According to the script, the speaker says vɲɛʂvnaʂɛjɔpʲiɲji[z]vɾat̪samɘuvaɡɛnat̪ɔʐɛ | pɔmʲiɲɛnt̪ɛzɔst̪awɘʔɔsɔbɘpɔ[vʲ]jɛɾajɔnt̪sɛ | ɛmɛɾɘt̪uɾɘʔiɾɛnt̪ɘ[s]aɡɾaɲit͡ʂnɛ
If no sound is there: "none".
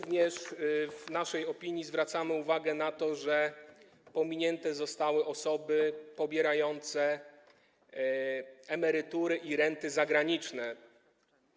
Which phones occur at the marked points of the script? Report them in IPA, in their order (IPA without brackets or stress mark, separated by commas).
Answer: z, bʲ, z